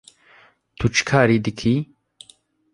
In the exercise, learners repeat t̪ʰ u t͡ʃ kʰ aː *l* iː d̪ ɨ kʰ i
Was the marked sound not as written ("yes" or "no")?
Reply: yes